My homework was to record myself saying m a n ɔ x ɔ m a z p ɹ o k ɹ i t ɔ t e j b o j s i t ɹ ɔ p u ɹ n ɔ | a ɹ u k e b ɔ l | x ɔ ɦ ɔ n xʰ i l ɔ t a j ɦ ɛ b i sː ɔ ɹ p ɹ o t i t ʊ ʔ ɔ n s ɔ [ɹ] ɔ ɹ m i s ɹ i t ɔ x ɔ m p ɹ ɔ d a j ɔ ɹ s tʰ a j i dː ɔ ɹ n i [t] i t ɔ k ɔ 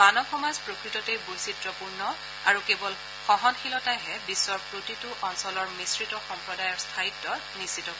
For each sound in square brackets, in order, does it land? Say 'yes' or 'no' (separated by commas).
no, no